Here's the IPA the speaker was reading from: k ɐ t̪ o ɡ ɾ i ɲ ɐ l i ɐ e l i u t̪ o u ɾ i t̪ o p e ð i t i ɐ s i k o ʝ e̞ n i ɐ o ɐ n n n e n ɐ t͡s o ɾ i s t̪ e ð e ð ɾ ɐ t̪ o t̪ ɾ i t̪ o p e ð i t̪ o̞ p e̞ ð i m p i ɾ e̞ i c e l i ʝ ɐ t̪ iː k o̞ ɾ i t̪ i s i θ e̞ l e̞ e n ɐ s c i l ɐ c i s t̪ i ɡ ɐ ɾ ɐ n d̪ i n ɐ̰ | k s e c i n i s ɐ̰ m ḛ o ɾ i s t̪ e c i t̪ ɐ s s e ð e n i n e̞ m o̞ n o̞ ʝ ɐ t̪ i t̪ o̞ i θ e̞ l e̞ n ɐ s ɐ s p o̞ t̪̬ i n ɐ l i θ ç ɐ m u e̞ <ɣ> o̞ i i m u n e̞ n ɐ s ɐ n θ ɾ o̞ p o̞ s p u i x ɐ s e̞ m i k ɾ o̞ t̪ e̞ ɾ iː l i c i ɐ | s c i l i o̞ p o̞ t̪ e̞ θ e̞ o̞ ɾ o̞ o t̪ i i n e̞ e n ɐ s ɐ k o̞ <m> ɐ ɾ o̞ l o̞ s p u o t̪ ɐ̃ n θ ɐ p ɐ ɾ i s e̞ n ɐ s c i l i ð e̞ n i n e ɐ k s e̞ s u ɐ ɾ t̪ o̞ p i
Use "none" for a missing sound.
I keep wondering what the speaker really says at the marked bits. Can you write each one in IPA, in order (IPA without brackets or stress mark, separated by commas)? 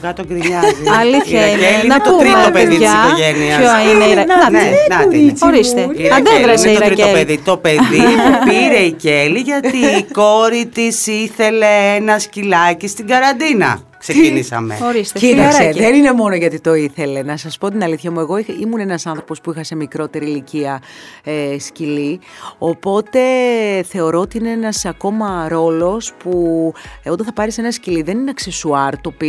ɣ, m